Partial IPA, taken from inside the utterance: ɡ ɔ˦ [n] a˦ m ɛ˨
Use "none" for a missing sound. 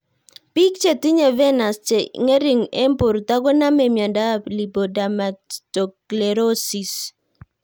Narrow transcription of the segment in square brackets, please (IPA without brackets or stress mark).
n